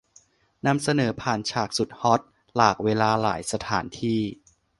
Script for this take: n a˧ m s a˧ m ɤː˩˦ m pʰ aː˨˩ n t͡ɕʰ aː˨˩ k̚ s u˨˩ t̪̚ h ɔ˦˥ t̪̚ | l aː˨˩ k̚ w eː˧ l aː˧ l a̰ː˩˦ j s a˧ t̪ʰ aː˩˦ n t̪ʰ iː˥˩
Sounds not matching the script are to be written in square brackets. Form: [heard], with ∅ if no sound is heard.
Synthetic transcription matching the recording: n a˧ m s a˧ [n] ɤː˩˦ [∅] pʰ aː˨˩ n t͡ɕʰ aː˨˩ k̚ s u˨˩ t̪̚ h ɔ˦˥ t̪̚ | l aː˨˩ k̚ w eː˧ l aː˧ l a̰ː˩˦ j s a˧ t̪ʰ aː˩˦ n t̪ʰ iː˥˩